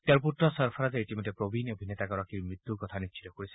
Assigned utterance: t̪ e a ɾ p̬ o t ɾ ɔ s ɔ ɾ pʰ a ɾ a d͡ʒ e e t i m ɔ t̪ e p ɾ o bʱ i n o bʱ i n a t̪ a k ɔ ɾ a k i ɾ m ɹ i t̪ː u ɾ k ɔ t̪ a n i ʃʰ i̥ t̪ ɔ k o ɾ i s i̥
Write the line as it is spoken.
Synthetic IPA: t̪ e a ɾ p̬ u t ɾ ɔ s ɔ ɾ pʰ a ɾ a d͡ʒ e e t i m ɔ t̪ e p ɾ o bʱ i n o bʱ i n e t̪ a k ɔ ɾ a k i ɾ m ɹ i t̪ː u ɾ k ɔ t̪ʰ a n i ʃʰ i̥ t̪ ɔ k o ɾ i s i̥